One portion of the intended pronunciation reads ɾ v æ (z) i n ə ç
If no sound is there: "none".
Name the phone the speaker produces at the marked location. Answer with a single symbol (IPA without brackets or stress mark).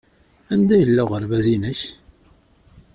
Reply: z